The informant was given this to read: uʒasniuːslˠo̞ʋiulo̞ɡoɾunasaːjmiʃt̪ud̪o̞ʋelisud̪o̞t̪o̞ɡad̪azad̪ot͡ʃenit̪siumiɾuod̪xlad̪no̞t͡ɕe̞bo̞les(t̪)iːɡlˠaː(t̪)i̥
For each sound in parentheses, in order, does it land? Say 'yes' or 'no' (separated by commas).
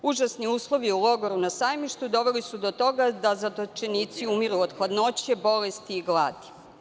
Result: yes, no